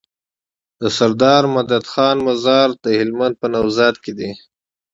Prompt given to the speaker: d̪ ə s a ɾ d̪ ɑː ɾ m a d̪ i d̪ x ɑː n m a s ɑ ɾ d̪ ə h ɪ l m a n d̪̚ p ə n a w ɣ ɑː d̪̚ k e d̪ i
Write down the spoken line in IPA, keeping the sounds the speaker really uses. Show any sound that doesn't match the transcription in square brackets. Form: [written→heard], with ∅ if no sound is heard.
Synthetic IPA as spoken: d̪ ə s a ɾ d̪ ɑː ɾ m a d̪ [i→a] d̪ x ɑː n m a [s→z] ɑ ɾ d̪ ə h ɪ l m a n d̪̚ p ə n a w [ɣ→z] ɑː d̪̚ k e d̪ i